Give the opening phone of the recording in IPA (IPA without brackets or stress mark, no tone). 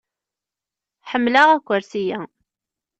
ħ